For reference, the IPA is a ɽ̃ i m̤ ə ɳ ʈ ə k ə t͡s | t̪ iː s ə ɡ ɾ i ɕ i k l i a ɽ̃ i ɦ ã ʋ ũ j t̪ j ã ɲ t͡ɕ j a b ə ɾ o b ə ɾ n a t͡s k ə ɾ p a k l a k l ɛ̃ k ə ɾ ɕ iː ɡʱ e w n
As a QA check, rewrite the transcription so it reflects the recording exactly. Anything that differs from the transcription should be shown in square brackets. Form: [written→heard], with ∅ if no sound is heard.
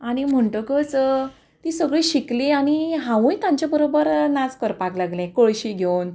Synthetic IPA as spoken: a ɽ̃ i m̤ ə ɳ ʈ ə k ə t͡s | t̪ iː s ə ɡ [ɾ→ɭ] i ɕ i k l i a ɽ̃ i ɦ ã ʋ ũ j t̪ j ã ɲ t͡ɕ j a b ə ɾ o b ə ɾ n a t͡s k ə ɾ p a k l a [k→ɡ] l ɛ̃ k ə [ɾ→ɭ] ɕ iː ɡʱ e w n